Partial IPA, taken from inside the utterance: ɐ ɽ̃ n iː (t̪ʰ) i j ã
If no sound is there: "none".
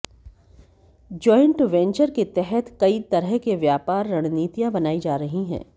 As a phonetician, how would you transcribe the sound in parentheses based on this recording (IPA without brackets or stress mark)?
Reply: t̪